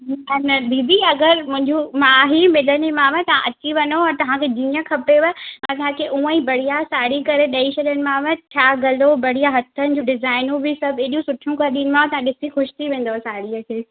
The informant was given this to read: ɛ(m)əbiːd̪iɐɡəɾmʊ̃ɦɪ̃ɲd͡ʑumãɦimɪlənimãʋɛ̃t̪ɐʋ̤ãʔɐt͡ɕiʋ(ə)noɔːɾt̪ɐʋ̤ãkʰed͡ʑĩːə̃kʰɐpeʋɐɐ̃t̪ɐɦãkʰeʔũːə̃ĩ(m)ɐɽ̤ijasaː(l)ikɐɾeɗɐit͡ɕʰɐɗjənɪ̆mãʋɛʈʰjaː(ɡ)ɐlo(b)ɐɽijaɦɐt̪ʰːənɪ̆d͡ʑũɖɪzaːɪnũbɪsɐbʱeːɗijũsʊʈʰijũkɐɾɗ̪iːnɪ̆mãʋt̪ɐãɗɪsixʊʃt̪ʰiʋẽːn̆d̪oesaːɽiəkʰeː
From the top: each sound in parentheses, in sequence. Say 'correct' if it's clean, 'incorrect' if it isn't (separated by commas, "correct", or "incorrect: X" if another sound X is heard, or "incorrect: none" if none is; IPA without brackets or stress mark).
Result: incorrect: n, incorrect: ɐ, incorrect: b, incorrect: ɽ, correct, correct